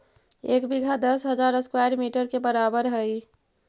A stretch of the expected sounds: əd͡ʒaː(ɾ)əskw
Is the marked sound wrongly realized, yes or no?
no